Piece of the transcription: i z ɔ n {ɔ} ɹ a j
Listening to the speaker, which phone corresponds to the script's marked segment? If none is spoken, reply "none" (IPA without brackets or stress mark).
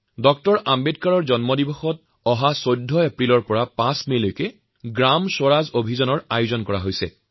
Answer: ɔ